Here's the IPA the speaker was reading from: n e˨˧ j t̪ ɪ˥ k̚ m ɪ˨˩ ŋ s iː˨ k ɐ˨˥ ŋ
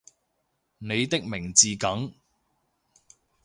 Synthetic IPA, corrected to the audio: n e˨˧ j t̪ ɪ˥ k̚ m ɪ˨˩ ŋ t͡s iː˨ k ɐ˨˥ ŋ